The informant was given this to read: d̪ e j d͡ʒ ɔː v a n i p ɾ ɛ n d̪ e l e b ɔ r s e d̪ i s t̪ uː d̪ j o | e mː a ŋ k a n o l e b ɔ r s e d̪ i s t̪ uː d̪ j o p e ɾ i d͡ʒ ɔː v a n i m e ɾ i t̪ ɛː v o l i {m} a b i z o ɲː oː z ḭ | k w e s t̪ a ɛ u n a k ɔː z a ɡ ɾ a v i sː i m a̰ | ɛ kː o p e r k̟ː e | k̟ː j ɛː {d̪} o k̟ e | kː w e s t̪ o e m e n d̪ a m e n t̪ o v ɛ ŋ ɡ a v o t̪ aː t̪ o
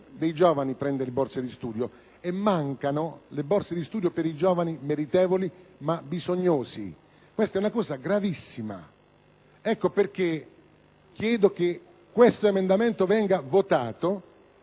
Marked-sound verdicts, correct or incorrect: correct, correct

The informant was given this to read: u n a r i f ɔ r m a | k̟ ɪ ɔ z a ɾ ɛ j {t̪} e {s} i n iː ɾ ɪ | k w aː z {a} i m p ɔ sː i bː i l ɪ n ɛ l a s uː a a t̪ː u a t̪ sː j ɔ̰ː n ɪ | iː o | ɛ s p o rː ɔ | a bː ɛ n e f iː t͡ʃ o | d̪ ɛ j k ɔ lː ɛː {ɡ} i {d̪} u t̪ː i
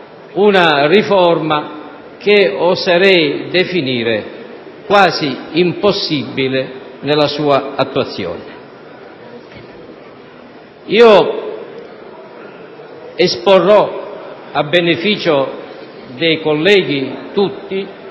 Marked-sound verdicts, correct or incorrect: incorrect, incorrect, incorrect, correct, incorrect

